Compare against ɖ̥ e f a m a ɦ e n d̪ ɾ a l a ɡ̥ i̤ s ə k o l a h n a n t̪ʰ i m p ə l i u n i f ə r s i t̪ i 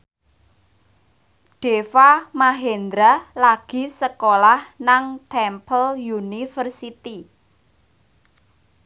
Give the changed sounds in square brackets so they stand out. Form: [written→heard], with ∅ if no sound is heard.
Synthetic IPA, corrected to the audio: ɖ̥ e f a m a ɦ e n d̪ ɾ a l a ɡ̥ i̤ s ə k o l a h n a [n→ŋ] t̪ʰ [i→ɛ] m p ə l [i→j] u n i f ə r s i t̪ i